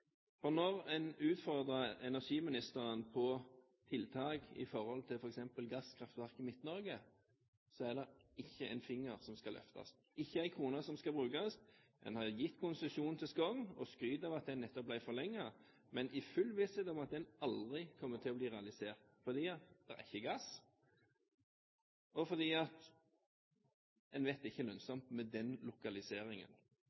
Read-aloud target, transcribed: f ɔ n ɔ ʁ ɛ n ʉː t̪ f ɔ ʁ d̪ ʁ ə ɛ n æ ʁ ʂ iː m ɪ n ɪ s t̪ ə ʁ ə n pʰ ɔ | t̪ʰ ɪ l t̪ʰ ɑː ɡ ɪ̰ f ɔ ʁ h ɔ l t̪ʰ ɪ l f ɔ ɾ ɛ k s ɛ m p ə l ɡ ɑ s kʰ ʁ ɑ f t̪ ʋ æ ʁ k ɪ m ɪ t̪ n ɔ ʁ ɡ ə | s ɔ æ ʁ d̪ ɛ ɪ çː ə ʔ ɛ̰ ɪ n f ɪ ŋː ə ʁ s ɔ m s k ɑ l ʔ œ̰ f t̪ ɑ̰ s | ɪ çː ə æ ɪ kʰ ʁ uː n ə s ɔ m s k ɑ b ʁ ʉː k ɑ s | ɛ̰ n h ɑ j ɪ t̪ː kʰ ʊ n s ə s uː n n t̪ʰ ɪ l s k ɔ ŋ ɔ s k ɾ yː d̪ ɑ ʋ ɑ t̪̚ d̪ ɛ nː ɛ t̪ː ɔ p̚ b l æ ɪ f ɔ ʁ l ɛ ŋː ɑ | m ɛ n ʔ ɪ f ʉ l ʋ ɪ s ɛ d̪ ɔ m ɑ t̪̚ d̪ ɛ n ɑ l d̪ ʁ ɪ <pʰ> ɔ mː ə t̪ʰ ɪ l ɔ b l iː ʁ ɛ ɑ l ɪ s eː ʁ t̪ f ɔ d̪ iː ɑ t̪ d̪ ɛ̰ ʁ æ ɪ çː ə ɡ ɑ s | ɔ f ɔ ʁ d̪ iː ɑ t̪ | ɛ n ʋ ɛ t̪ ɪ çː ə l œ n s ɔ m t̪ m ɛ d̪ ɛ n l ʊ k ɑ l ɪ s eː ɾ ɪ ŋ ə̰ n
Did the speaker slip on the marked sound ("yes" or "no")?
yes